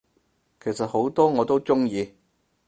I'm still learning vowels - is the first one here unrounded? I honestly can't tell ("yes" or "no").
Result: yes